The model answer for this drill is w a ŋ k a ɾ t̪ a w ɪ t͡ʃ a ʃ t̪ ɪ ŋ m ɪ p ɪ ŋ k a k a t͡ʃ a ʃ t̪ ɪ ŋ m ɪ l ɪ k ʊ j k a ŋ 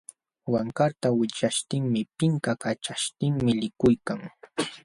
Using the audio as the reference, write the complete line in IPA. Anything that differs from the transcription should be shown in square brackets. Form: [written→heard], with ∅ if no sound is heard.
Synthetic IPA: w a ŋ k a ɾ t̪ a w ɪ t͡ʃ a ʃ t̪ ɪ ŋ m ɪ p ɪ ŋ k a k a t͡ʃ a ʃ t̪ ɪ ŋ m ɪ l ɪ k ʊ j k a ŋ